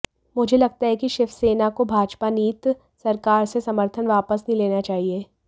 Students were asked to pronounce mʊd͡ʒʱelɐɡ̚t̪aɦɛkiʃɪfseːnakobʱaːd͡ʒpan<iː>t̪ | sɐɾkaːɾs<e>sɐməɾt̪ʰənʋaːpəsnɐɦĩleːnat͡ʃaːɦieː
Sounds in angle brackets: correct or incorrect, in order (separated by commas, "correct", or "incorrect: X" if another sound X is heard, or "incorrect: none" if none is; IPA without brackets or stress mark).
correct, correct